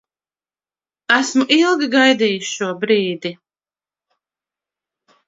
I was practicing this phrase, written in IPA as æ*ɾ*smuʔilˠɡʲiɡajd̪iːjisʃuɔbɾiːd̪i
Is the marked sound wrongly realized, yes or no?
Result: yes